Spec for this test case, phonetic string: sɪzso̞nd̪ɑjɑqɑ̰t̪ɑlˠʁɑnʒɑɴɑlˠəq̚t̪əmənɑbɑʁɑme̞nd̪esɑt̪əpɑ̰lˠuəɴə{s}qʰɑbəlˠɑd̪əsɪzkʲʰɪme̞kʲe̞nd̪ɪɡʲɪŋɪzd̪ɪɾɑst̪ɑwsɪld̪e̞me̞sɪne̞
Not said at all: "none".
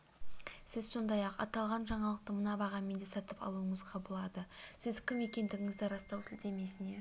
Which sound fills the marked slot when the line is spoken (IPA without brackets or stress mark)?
z